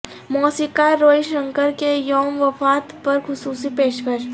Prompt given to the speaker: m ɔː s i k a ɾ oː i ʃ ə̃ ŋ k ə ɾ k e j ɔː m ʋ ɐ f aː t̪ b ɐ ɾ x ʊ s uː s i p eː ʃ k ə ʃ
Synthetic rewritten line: m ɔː s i k a ɾ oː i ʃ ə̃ ŋ k ə ɾ k e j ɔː m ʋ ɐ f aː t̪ p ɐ ɾ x ʊ s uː s i p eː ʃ k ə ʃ